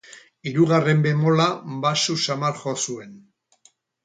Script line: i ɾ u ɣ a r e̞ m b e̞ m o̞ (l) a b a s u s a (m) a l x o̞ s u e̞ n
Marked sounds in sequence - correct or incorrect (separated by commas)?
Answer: correct, correct